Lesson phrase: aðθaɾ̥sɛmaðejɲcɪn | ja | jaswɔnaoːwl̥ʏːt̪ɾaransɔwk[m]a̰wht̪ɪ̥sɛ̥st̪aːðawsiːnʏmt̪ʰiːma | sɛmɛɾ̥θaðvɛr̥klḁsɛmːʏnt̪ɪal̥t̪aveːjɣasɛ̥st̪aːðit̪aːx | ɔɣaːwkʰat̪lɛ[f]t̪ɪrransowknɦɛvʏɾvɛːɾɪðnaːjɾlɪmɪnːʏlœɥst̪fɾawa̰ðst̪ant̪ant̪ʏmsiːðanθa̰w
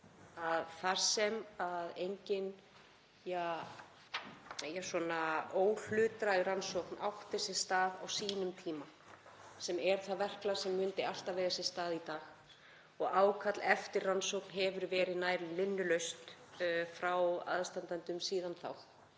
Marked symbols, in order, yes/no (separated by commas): no, yes